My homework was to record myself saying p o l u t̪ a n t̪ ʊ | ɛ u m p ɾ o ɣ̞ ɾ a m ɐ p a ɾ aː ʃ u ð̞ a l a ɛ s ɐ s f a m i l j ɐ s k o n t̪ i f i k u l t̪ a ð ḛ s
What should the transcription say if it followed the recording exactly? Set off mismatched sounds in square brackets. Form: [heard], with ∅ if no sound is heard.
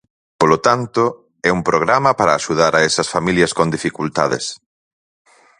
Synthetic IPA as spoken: p o l [o] t̪ a n t̪ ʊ | ɛ u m p ɾ o ɣ̞ ɾ a m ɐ p a ɾ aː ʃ u ð̞ a [ɾ] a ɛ s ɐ s f a m i l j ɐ s k o n [d̪] i f i k u l t̪ a ð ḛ s